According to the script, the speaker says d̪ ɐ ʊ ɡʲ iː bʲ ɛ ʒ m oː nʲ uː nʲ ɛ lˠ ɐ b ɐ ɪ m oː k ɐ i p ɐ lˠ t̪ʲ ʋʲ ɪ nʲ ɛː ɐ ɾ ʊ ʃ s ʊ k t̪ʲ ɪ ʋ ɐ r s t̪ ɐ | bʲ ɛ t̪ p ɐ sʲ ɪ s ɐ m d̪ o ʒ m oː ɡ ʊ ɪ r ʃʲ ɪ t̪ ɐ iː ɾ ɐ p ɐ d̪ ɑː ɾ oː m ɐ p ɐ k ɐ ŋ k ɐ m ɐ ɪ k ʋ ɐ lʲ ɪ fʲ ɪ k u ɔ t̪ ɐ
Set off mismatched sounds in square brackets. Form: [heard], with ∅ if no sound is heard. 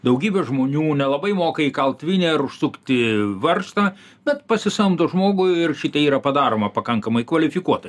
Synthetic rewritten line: d̪ ɐ ʊ ɡʲ iː bʲ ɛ ʒ m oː nʲ uː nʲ ɛ lˠ ɐ b ɐ ɪ m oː k ɐ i [k] ɐ lˠ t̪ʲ ʋʲ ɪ nʲ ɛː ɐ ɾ ʊ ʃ s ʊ k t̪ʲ ɪ ʋ ɐ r s t̪ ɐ | bʲ ɛ t̪ p ɐ sʲ ɪ s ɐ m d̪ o ʒ m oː ɡ ʊ ɪ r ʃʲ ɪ t̪ ɐ iː ɾ ɐ p ɐ d̪ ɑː ɾ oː m ɐ p ɐ k ɐ ŋ k ɐ m ɐ ɪ k ʋ ɐ lʲ ɪ fʲ ɪ k u ɔ t̪ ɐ